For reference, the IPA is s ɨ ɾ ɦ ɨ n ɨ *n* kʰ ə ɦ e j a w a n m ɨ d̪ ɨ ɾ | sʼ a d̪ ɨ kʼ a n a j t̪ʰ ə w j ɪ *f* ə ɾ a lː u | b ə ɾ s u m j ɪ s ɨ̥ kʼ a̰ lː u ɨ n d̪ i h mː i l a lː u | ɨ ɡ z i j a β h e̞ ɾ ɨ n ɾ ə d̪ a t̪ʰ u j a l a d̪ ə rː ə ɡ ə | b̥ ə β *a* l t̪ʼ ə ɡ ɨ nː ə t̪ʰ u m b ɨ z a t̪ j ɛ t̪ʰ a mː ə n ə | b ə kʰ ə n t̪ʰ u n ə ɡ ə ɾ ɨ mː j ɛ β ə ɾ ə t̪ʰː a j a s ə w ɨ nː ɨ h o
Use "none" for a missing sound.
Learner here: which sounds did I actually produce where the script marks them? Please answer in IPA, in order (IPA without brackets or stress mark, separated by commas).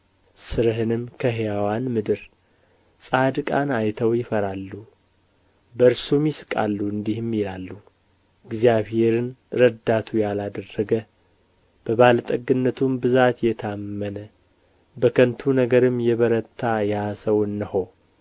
m, f, a